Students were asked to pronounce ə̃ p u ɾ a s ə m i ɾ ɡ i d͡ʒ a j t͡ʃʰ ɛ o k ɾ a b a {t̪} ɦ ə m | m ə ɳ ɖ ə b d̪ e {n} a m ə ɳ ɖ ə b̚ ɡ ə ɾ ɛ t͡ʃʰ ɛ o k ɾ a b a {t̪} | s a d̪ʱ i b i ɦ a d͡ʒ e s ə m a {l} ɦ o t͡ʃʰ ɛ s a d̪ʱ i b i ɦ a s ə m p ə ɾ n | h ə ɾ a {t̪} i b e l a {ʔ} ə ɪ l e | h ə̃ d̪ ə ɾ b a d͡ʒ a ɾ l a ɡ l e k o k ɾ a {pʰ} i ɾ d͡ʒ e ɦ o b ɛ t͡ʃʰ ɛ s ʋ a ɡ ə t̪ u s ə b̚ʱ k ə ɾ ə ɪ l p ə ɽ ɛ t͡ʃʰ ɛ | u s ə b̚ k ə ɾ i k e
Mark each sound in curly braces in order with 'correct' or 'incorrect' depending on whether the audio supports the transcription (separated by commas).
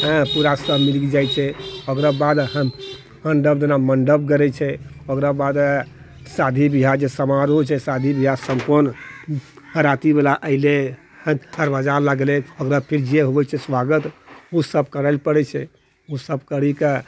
incorrect, correct, incorrect, incorrect, correct, correct, correct